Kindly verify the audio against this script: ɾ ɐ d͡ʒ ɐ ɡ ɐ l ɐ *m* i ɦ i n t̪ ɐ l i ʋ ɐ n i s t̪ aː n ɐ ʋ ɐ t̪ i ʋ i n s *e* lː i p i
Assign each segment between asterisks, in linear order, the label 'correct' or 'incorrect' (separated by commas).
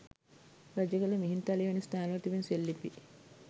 correct, correct